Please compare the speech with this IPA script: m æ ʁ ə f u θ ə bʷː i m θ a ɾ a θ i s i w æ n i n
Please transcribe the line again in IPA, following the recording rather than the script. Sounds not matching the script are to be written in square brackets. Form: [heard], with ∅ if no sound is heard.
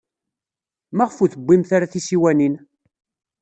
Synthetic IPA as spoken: m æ ʁ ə f u θ ə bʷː i m θ a ɾ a θ i s i w æ n i n